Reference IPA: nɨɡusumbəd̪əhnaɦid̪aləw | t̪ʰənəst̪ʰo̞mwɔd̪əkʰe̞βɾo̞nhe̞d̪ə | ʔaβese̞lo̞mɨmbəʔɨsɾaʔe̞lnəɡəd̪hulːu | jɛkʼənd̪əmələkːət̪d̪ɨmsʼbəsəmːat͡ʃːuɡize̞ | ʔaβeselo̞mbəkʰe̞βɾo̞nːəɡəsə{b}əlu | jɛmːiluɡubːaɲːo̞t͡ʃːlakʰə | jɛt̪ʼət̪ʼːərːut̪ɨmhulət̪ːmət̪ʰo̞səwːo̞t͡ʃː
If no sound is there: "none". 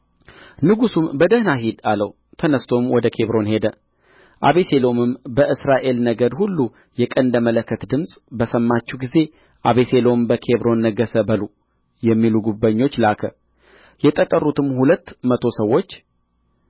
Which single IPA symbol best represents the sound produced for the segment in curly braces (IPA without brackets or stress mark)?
b